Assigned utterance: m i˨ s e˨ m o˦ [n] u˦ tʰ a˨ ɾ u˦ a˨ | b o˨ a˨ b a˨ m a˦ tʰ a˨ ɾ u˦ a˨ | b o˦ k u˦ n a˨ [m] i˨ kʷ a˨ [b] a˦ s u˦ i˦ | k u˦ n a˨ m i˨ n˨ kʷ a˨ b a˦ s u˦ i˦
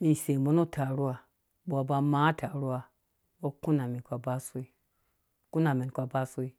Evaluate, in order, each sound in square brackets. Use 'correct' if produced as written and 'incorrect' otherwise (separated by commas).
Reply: correct, correct, correct